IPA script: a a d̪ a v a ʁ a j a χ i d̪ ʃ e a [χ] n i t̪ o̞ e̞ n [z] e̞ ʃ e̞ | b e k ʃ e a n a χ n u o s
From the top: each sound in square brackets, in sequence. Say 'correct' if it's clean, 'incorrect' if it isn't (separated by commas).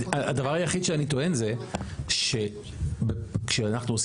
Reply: incorrect, correct